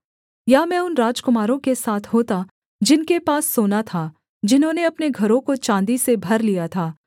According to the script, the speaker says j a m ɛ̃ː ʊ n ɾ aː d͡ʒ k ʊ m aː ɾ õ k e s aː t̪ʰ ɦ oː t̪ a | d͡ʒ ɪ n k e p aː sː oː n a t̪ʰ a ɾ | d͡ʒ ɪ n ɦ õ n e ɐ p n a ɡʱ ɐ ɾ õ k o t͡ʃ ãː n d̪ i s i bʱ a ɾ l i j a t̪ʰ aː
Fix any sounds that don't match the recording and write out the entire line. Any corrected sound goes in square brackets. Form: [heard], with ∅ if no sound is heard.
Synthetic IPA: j a m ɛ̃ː ʊ n ɾ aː d͡ʒ k ʊ m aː ɾ õ k e s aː t̪ʰ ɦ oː t̪ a | d͡ʒ ɪ n k e p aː sː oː n a t̪ʰ a [∅] | d͡ʒ ɪ n ɦ õ n e ɐ p n [e] ɡʱ ɐ ɾ õ k o t͡ʃ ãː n d̪ i s [e] bʱ [ɐ] ɾ l i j a t̪ʰ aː

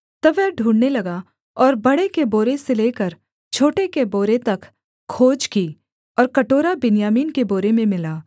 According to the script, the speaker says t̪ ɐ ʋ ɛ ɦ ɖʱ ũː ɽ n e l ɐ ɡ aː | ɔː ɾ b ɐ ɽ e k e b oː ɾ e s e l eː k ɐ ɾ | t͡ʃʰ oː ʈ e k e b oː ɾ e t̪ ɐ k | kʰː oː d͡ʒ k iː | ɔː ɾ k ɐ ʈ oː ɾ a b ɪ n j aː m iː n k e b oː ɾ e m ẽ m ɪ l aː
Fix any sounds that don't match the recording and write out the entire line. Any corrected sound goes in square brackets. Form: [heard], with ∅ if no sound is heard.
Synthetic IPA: t̪ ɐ ʋ ɛ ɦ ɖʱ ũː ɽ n e l ɐ ɡ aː | ɔː ɾ b ɐ ɽ e k e b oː ɾ e s e l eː k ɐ ɾ | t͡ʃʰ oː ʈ e k e b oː ɾ e t̪ ɐ k | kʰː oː d͡ʒ k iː | ɔː ɾ k ɐ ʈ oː ɾ a b ɪ n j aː m iː n k e b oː ɾ e m ẽ m ɪ l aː

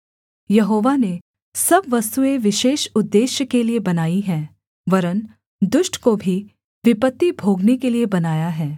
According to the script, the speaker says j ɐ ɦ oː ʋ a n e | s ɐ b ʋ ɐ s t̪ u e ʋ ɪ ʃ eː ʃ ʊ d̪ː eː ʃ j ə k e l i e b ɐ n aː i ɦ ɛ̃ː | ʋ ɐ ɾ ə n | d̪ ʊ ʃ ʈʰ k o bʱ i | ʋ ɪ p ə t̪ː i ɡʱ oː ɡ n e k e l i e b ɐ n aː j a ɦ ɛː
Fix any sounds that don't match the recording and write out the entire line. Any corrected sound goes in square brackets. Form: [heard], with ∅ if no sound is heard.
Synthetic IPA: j ɐ ɦ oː ʋ a n e | s ɐ b ʋ ɐ s t̪ u e ʋ ɪ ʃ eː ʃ ʊ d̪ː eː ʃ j ə k e l i e b ɐ n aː i ɦ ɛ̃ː | ʋ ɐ ɾ ə n | d̪ ʊ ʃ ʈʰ k o bʱ i | ʋ ɪ p ə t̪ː i [bʱ] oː ɡ n e k e l i e b ɐ n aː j a ɦ ɛː

